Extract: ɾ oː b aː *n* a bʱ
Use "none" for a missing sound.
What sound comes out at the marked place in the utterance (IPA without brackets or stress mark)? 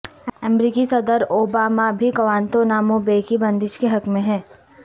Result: m